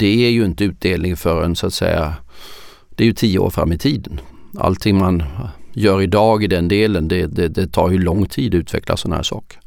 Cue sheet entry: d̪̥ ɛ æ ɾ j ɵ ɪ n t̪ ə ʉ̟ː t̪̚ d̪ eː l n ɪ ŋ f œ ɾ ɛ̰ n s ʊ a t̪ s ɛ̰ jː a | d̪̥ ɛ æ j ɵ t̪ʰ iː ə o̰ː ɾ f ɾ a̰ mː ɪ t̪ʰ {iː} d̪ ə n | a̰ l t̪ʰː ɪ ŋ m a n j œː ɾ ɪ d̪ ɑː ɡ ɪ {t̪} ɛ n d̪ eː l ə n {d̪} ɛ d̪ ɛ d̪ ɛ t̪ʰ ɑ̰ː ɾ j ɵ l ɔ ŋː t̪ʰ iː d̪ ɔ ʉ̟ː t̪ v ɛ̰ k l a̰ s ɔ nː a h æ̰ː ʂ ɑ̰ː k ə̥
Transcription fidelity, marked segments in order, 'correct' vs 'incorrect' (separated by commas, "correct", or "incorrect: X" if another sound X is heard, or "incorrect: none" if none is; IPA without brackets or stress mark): correct, incorrect: d̪, correct